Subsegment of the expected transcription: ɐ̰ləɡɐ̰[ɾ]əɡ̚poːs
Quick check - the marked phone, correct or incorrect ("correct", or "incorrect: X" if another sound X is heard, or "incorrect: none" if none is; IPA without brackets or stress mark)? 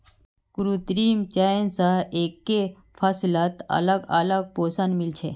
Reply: incorrect: l